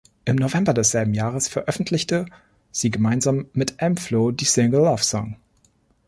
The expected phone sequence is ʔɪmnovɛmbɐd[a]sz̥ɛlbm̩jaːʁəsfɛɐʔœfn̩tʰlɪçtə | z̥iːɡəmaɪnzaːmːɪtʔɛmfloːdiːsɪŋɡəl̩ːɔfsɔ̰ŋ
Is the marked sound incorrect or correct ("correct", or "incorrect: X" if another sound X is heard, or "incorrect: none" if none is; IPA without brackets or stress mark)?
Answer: incorrect: ɛ